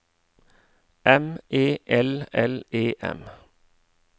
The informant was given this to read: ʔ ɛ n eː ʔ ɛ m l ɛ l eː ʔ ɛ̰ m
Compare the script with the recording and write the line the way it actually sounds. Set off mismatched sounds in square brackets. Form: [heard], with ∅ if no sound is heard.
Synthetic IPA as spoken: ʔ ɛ [m] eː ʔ ɛ [∅] l ɛ l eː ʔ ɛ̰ m